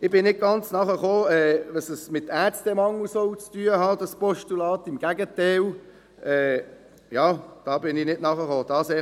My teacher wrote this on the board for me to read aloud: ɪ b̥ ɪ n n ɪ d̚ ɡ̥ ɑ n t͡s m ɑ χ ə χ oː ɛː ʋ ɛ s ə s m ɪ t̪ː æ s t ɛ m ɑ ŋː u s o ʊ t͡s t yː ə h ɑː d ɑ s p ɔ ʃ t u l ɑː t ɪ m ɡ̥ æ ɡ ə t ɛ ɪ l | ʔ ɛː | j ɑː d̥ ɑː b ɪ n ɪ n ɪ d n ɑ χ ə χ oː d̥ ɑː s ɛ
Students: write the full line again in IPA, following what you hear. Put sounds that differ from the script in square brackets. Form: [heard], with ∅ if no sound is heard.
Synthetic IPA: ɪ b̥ ɪ n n ɪ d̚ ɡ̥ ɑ n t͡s [n] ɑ χ ə χ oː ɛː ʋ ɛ s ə s m ɪ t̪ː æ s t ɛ m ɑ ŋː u s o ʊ t͡s t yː ə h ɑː d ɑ s p ɔ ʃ t u l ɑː t ɪ m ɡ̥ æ ɡ ə t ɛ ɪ l | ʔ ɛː | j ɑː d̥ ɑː b ɪ n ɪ n ɪ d n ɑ χ ə χ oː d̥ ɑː s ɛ